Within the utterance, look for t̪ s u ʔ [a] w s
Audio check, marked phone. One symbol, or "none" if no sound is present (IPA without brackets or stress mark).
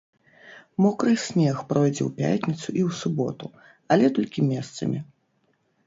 i